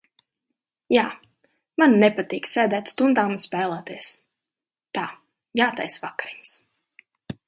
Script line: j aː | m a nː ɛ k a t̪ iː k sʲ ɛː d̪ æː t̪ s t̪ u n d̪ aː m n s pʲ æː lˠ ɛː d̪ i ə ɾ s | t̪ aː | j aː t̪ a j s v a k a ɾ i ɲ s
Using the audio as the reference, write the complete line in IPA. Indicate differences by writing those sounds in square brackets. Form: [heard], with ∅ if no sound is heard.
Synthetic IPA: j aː | m a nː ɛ [p] a t̪ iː k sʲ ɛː d̪ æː t̪ s t̪ u n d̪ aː m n s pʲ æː lˠ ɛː [t̪] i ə [∅] s | t̪ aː | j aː t̪ a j s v a k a ɾ i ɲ s

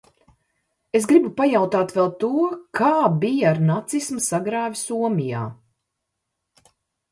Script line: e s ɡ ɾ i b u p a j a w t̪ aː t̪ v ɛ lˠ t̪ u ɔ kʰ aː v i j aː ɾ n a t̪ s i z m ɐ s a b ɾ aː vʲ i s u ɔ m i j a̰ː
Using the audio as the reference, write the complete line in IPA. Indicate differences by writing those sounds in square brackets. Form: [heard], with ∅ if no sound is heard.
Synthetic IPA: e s ɡ ɾ i b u p a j a w t̪ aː t̪ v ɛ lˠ t̪ u ɔ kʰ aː [b] i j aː ɾ n a t̪ s i [s] m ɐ s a [ɡ] ɾ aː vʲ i s u ɔ m i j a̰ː

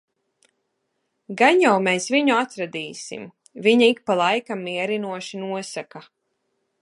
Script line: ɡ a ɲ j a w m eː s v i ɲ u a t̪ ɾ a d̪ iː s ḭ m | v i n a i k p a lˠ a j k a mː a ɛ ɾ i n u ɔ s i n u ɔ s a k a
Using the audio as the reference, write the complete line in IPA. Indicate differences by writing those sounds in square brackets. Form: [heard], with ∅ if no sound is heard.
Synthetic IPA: ɡ a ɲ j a w m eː s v i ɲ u a t̪ ɾ a d̪ iː s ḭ m | v i [ɲ] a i k p a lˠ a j k a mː [i] ɛ ɾ i n u ɔ [ʃ] i n u ɔ s a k a

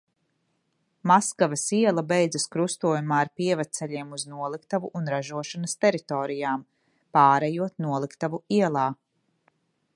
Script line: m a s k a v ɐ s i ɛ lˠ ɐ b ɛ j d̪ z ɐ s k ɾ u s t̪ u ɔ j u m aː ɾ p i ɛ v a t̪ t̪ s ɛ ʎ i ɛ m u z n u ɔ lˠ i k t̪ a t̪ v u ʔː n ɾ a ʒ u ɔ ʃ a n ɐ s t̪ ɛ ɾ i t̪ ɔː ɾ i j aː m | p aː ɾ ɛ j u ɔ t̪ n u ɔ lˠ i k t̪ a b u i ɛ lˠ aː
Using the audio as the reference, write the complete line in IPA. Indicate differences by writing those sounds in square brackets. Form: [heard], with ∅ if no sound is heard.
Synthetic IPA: m a s k a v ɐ s i ɛ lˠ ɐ b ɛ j d̪ z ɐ s k ɾ u s t̪ u ɔ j u m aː ɾ p i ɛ v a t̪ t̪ s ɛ ʎ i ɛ m u z n u ɔ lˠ i k t̪ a [∅] v u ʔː n ɾ a ʒ u ɔ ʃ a n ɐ s t̪ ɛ ɾ i t̪ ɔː ɾ i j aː m | p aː ɾ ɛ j u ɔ t̪ n u ɔ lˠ i k t̪ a [v] u i ɛ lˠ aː

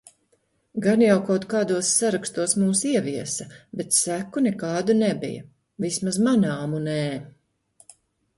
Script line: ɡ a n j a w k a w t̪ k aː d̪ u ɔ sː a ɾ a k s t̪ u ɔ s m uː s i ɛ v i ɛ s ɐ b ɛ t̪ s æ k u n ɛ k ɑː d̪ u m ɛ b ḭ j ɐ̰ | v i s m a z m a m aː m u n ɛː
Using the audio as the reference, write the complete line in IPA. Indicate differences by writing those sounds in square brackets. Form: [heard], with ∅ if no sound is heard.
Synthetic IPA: ɡ a n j a w k a w t̪ k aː d̪ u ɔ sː a ɾ a k s t̪ u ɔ s m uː s i ɛ v i ɛ s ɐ b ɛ t̪ s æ k u n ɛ k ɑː d̪ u [n] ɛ b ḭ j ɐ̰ | v i s m a z m a [n] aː m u n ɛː

